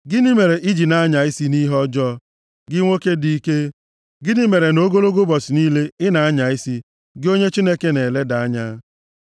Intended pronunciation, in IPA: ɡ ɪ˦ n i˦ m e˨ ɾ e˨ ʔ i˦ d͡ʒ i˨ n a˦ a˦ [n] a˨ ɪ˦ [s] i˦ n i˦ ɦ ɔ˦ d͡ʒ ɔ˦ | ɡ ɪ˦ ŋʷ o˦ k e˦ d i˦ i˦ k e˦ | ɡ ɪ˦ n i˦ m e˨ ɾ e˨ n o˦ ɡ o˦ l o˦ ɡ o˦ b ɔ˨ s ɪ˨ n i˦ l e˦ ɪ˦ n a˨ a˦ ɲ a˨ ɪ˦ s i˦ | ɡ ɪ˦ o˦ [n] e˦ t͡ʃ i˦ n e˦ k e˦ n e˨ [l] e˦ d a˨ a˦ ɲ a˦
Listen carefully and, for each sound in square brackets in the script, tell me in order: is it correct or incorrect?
incorrect, correct, incorrect, correct

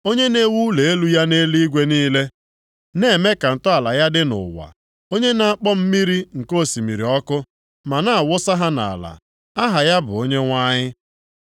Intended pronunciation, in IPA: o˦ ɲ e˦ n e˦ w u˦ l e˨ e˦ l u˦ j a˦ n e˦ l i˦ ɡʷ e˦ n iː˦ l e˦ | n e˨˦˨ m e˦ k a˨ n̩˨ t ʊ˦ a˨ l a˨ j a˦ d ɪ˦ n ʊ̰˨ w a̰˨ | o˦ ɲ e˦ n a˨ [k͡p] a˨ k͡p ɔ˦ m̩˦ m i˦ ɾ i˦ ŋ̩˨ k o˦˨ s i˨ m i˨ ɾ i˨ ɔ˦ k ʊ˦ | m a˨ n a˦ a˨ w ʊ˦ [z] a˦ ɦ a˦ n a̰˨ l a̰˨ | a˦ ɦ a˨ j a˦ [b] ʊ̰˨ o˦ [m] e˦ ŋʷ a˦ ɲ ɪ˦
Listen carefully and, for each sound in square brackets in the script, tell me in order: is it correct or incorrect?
incorrect, incorrect, correct, incorrect

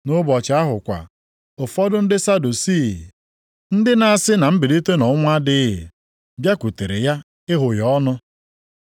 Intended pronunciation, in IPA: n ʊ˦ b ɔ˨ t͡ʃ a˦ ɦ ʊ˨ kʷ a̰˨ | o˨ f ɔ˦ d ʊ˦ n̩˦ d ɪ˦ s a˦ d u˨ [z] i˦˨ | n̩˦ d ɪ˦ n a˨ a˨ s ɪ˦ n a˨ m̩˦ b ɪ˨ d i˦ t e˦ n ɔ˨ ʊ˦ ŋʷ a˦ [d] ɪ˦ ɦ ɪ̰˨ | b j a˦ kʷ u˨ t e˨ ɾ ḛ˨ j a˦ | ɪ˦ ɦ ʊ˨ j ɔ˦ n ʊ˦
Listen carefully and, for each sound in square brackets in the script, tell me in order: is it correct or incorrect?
incorrect, correct

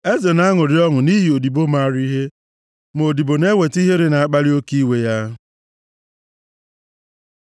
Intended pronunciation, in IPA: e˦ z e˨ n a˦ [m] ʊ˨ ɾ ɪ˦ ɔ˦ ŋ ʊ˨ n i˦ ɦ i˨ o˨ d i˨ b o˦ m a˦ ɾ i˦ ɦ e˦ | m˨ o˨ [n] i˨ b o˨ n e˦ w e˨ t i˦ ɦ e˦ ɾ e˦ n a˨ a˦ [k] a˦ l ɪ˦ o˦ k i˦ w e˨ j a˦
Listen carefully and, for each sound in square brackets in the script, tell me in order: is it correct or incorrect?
incorrect, incorrect, incorrect

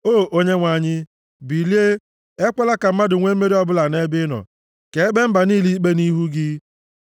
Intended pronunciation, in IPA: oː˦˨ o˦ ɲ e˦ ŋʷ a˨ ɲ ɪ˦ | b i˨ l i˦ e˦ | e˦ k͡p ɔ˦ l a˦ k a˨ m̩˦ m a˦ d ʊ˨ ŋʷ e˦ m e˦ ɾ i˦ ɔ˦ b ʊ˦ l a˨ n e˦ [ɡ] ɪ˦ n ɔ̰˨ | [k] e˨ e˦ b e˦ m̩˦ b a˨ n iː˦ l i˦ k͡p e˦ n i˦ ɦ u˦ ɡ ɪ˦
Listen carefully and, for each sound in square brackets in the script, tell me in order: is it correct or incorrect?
incorrect, correct

